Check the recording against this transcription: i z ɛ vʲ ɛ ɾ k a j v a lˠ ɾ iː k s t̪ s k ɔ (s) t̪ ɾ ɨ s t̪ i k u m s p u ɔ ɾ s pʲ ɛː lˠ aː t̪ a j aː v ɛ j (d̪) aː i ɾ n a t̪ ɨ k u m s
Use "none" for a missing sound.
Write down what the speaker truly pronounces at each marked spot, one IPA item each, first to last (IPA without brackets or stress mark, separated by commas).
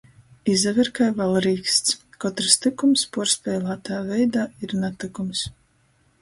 none, d̪